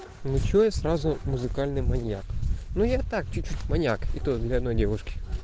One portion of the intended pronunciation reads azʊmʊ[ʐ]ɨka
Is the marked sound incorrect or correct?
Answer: incorrect